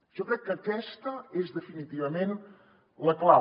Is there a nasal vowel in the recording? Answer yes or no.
yes